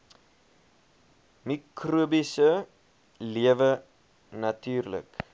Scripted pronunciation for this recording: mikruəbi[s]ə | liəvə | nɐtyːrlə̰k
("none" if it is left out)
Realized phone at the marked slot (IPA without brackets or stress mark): s